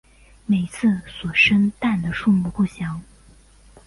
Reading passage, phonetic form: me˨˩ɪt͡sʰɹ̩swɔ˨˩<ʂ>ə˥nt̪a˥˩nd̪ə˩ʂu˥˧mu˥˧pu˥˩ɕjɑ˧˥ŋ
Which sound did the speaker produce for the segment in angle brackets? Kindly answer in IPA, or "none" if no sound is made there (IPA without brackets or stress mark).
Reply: ʂ